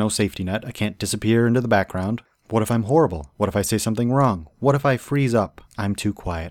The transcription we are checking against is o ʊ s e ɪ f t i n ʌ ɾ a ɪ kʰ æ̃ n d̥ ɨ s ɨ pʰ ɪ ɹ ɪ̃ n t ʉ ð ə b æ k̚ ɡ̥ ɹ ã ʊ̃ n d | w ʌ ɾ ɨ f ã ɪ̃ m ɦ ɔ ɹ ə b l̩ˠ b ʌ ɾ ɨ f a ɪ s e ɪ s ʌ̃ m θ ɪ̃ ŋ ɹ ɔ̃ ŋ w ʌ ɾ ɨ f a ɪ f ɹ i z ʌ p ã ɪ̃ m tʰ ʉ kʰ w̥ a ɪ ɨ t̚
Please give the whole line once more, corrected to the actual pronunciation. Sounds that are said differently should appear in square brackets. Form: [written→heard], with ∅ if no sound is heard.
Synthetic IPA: o ʊ s e ɪ f t i n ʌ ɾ a ɪ kʰ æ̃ n d̥ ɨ s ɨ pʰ ɪ ɹ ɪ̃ n t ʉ ð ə b æ k̚ ɡ̥ ɹ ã ʊ̃ n d | w ʌ ɾ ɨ f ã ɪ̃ m ɦ ɔ ɹ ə b l̩ˠ [b→w] ʌ ɾ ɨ f a ɪ s e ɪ s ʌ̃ m θ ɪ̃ ŋ ɹ ɔ̃ ŋ w ʌ ɾ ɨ f a ɪ f ɹ i z ʌ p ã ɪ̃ m tʰ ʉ kʰ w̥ a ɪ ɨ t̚